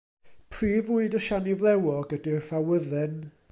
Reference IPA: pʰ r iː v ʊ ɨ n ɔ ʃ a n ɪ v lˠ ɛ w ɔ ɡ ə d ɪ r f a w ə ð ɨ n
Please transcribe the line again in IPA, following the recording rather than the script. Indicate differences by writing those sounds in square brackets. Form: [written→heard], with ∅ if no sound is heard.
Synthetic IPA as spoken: pʰ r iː v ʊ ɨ [n→d] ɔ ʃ a n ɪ v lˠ ɛ w ɔ ɡ ə d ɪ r f a w ə ð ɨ n